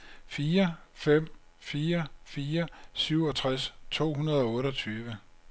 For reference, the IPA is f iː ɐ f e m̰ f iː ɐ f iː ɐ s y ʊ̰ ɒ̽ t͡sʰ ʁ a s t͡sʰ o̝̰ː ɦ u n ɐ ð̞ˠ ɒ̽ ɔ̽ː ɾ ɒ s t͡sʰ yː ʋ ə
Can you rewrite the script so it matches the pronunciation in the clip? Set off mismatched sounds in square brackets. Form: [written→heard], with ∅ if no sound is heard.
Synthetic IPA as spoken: f iː ɐ f e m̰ f iː ɐ f iː ɐ s y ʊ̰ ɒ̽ t͡sʰ ʁ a s t͡sʰ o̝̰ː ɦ u n ɐ ð̞ˠ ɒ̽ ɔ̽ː ɾ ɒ [s→∅] t͡sʰ yː ʋ ə